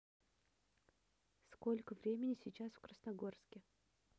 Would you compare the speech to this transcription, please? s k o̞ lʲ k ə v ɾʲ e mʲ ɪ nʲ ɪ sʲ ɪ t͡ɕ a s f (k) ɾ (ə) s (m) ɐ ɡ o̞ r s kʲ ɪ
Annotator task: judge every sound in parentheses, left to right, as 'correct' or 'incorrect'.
correct, correct, incorrect: n

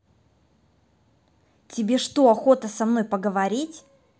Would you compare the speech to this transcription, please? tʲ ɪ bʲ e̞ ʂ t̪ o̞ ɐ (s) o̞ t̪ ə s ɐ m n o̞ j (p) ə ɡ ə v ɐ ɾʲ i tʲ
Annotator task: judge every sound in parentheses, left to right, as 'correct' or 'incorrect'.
incorrect: x, correct

